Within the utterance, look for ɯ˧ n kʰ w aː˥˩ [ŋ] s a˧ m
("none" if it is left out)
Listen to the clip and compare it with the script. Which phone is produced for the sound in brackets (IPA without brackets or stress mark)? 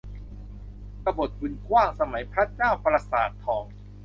ŋ